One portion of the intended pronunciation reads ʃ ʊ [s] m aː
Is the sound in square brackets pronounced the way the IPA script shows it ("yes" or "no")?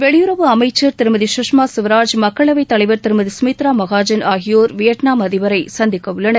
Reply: no